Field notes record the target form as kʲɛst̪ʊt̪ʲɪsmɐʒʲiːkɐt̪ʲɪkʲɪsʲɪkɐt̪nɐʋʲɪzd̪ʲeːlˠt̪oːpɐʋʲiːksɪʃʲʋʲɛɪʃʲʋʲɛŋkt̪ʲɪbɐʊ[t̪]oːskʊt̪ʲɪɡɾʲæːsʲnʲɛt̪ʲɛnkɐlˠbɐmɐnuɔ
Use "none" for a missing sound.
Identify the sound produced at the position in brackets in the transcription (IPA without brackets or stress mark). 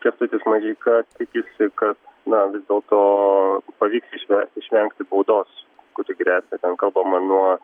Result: d̪